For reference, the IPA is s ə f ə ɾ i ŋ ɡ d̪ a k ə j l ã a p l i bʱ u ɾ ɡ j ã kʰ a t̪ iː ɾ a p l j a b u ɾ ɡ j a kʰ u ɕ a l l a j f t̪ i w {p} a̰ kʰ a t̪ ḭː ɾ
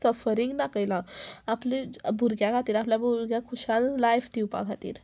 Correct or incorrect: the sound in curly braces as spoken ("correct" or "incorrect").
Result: correct